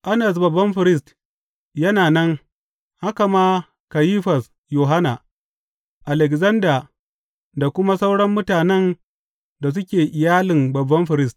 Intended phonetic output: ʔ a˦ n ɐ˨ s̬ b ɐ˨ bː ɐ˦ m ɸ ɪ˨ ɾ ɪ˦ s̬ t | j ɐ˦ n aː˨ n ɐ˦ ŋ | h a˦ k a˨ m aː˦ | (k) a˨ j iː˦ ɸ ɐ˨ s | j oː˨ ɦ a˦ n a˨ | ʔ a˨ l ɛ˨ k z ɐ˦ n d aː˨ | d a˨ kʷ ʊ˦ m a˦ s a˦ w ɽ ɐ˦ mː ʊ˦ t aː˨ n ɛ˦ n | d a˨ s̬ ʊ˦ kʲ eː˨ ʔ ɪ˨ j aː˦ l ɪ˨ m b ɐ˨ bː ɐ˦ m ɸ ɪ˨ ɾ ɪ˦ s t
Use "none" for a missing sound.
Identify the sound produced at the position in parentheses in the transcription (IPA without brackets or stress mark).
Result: k